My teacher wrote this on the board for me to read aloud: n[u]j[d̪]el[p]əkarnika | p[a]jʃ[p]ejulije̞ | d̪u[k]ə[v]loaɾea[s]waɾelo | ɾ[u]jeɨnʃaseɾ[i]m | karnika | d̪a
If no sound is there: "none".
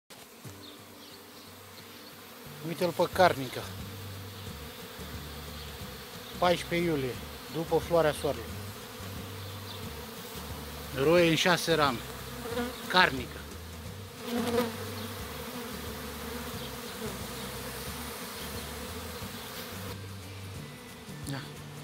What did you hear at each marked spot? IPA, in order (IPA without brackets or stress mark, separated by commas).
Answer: u, t̪, p, a, p, p, f, s, o, a